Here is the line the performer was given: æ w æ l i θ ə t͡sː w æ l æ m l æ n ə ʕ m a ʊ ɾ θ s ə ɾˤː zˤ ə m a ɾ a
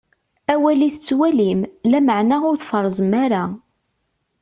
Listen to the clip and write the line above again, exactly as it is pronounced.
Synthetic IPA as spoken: æ w æ l i θ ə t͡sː w æ l i m l æ m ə ʕ n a ʊ ɾ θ f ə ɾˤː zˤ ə m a ɾ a